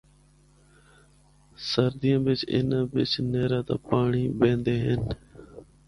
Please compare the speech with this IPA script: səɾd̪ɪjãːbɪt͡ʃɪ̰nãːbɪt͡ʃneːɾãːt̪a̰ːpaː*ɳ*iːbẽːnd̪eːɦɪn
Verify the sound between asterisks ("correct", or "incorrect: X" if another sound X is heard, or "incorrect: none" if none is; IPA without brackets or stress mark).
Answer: correct